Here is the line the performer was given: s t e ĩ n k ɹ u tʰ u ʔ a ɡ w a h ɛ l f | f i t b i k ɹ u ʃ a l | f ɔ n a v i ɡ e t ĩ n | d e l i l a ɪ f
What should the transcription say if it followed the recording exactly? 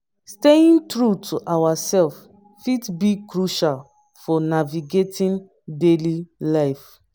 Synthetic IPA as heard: s t e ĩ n t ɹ u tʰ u ʔ a w a s ɛ l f | f i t b i k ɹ u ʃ a l | f ɔ n a v i ɡ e t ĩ n | d e l i l a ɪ f